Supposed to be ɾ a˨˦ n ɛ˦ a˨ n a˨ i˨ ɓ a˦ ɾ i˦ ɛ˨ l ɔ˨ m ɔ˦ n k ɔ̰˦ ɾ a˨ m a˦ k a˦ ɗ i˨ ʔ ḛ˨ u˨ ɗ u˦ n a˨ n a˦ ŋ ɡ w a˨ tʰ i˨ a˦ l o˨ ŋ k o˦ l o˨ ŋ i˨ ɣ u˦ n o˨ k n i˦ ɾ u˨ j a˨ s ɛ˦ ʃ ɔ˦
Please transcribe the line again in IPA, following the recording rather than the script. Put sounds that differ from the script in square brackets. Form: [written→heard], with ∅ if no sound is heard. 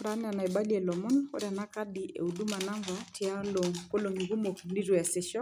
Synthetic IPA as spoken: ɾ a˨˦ n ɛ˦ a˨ n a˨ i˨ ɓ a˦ [ɾ→l] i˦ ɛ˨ l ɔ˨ m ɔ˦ n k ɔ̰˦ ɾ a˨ [m→n] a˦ k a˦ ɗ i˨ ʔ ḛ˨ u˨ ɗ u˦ [n→m] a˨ n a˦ ŋ ɡ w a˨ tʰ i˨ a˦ l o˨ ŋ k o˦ l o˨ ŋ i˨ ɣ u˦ [n→m] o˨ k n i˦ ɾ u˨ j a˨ s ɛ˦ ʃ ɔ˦